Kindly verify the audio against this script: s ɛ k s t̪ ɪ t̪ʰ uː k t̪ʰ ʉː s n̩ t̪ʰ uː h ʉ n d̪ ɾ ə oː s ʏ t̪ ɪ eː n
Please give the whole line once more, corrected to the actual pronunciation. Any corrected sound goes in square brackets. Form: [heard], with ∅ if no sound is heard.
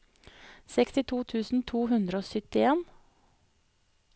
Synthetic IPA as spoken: s ɛ k s t̪ ɪ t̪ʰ uː [∅] t̪ʰ ʉː s n̩ t̪ʰ uː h ʉ n d̪ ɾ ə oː s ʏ t̪ ɪ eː n